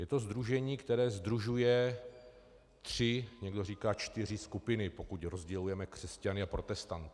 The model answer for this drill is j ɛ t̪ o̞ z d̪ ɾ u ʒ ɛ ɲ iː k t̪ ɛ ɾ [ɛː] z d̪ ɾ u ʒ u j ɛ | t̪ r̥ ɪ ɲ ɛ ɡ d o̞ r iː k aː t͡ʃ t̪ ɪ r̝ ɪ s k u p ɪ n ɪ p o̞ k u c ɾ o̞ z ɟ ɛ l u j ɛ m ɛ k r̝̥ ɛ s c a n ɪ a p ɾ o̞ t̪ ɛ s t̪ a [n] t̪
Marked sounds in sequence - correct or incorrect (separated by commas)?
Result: correct, correct